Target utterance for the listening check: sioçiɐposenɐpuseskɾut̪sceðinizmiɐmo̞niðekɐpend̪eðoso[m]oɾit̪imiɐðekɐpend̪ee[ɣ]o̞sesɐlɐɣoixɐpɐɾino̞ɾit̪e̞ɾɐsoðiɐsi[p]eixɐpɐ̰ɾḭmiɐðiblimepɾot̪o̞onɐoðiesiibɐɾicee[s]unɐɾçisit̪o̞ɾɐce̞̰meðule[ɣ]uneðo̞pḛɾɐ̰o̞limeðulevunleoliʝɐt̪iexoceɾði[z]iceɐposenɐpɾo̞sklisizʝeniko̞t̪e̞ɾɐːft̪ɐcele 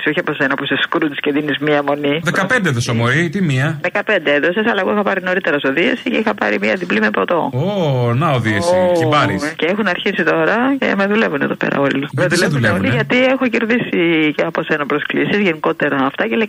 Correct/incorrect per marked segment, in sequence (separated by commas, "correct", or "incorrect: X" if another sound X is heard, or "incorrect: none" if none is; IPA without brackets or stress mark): correct, incorrect: ð, incorrect: c, incorrect: x, incorrect: v, incorrect: s